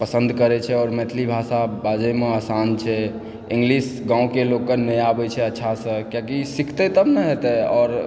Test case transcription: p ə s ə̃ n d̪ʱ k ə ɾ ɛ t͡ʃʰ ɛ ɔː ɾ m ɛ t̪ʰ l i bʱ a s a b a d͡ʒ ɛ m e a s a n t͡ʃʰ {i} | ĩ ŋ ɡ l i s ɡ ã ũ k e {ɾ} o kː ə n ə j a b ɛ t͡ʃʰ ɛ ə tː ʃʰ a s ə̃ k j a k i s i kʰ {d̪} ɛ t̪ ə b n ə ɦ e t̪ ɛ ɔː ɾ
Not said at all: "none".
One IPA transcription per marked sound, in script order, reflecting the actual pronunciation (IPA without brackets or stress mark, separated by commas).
ɛ, l, t̪